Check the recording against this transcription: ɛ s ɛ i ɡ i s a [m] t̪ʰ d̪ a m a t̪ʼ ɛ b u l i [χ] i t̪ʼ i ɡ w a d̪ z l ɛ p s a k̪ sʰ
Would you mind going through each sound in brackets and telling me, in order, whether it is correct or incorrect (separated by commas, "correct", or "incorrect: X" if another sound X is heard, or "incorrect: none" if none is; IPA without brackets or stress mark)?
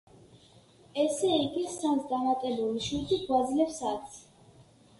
incorrect: n, incorrect: ʃ